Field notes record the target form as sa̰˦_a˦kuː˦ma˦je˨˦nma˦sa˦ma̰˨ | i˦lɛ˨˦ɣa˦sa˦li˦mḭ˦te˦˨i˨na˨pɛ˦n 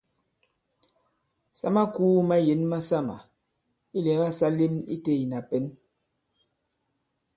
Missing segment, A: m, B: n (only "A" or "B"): A